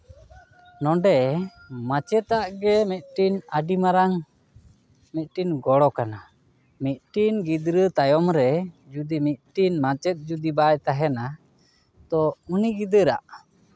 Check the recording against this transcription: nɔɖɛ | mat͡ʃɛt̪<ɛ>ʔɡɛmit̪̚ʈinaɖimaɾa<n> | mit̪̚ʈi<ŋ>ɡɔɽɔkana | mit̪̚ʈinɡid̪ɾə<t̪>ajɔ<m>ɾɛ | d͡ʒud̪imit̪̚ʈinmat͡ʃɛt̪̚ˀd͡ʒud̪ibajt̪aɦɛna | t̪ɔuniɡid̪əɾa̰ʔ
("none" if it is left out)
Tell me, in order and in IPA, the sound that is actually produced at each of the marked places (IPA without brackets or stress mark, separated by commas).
a, ŋ, n, t̪, m